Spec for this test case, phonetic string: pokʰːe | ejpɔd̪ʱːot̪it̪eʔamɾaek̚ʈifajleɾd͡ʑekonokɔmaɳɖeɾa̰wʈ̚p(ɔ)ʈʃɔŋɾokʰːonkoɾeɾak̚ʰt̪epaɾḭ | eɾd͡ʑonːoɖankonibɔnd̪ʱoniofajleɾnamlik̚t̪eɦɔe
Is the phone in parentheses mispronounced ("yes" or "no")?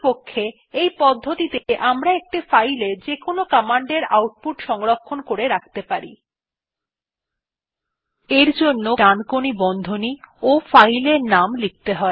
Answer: yes